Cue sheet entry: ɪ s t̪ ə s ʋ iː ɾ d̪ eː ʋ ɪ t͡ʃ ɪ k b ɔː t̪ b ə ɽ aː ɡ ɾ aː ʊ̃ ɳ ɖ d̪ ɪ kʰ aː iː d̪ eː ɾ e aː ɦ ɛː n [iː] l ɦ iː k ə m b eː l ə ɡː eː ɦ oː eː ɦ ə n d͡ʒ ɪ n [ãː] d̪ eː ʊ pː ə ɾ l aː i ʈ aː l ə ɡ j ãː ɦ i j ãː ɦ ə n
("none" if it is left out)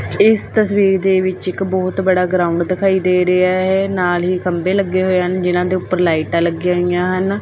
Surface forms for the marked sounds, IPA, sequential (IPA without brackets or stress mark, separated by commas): aː, ãː